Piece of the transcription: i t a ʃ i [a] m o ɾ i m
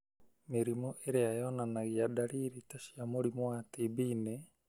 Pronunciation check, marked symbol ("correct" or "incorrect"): correct